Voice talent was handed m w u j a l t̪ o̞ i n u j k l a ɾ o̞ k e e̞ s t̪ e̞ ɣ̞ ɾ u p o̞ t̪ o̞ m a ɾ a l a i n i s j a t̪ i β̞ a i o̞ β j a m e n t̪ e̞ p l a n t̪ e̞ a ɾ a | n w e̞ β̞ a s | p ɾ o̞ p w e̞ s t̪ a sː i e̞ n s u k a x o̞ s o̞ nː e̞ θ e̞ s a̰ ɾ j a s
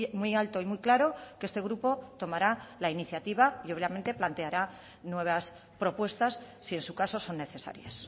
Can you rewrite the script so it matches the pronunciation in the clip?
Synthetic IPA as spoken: m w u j a l t̪ o̞ i m u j k l a ɾ o̞ k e e̞ s t̪ e̞ ɣ̞ ɾ u p o̞ t̪ o̞ m a ɾ a l a i n i θ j a t̪ i β̞ a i o̞ β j a m e n t̪ e̞ p l a n t̪ e̞ a ɾ a | n w e̞ β̞ a s | p ɾ o̞ p w e̞ s t̪ a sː i e̞ n s u k a s o̞ s o̞ nː e̞ θ e̞ s a̰ ɾ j a s